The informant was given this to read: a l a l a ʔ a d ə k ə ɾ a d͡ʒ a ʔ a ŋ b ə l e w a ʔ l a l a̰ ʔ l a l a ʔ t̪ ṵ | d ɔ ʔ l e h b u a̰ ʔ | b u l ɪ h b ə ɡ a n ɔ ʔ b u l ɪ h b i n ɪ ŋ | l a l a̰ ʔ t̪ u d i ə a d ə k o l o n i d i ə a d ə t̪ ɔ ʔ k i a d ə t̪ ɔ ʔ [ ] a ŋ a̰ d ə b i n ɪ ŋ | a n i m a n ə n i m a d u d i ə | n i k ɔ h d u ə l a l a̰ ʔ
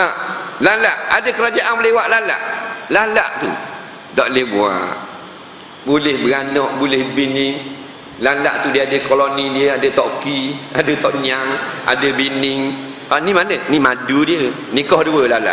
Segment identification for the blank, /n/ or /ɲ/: ɲ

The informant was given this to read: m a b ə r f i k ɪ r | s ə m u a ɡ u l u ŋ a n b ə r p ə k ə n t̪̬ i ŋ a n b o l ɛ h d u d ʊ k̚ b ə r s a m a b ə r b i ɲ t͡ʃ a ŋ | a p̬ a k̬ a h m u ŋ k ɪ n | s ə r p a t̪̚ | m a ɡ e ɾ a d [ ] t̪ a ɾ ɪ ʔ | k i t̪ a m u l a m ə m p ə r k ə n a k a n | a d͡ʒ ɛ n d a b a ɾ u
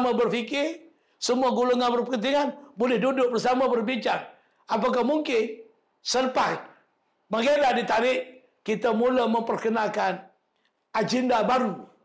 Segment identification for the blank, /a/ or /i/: i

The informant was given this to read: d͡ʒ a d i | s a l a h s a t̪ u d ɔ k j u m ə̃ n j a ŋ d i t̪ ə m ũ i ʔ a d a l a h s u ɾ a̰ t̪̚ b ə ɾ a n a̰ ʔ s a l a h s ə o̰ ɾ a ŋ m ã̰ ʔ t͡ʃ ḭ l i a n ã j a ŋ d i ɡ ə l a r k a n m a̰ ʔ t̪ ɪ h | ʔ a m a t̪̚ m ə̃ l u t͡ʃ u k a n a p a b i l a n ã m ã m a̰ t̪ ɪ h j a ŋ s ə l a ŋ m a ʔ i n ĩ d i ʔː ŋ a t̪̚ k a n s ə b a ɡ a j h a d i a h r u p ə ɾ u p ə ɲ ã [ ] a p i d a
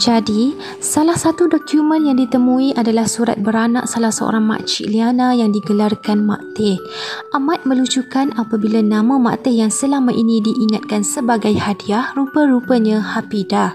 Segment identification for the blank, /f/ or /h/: h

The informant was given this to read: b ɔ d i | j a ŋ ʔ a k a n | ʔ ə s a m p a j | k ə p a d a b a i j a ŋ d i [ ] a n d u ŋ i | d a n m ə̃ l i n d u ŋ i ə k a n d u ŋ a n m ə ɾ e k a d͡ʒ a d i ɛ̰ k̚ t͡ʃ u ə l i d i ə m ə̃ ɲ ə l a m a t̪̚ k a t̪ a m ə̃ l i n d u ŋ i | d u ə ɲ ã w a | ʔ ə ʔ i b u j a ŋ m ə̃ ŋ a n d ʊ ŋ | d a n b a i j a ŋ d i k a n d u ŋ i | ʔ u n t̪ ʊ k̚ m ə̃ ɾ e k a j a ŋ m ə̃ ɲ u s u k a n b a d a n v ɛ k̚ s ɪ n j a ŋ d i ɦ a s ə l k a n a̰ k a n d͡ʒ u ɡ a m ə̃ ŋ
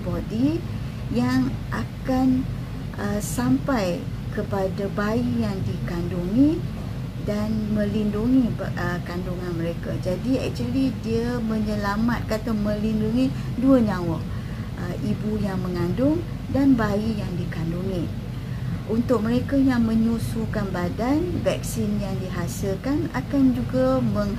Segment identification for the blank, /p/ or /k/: k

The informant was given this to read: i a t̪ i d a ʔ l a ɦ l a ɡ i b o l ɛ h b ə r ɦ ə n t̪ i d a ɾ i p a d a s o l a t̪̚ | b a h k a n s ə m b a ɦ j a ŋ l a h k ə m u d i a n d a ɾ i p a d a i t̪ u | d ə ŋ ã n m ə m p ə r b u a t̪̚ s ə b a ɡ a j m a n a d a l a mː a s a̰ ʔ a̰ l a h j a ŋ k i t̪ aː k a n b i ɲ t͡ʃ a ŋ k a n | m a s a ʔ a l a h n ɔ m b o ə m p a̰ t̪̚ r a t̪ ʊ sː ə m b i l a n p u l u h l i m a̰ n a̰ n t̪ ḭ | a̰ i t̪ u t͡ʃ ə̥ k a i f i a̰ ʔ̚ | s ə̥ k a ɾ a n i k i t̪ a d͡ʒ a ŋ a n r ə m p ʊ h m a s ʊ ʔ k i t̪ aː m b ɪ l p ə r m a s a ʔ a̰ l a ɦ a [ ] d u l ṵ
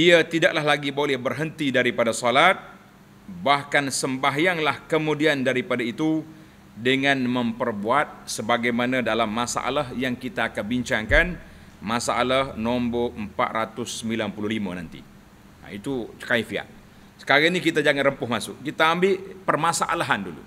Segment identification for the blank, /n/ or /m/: n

